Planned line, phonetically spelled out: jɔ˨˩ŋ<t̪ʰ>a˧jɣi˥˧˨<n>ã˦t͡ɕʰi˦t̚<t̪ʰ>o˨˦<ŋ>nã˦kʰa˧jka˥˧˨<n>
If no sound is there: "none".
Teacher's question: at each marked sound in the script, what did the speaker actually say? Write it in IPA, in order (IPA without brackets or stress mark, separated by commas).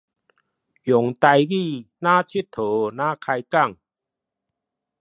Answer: t̪, n, t̪ʰ, none, ŋ